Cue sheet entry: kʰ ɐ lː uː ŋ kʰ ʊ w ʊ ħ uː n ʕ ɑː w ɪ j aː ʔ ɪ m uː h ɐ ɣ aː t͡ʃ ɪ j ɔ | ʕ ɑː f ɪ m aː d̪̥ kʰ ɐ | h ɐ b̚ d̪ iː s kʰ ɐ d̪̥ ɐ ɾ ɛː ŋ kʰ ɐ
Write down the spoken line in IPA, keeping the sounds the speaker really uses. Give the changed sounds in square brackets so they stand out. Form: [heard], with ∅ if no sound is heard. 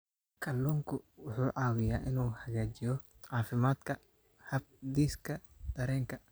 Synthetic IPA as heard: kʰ ɐ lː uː ŋ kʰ ʊ w ʊ ħ uː [∅] ʕ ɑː w ɪ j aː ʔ ɪ [n] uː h ɐ ɣ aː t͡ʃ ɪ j ɔ | ʕ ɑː f ɪ m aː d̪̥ kʰ ɐ | h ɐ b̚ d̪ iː s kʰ ɐ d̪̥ ɐ ɾ ɛː ŋ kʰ ɐ